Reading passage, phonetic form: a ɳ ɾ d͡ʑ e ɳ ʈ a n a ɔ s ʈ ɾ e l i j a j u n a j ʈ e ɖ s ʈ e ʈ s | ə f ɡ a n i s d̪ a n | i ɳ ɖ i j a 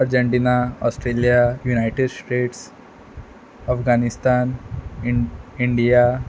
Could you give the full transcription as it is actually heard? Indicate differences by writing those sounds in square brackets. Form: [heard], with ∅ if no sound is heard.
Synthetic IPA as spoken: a [∅] ɾ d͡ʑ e ɳ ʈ [i] n a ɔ s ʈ ɾ e l i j a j u n a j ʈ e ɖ s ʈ e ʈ s | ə f ɡ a n i s [t̪] a n | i ɳ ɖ i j a